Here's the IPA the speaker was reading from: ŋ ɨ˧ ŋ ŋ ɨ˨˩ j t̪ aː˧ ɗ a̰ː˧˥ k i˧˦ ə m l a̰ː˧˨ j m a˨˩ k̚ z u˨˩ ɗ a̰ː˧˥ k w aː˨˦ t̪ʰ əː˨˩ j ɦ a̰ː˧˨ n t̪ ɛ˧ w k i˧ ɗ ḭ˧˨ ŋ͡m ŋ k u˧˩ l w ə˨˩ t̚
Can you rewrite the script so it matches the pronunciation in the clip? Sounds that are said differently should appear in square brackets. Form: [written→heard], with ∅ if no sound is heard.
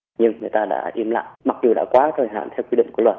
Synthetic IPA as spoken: [ŋ→ɲ] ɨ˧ ŋ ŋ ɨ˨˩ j t̪ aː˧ ɗ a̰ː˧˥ [k→ʔ] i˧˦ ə m l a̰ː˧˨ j m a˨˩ k̚ z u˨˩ ɗ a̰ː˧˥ k w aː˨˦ t̪ʰ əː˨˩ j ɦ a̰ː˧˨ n [t̪→t̪ʰ] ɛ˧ w k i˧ ɗ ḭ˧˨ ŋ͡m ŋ k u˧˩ l w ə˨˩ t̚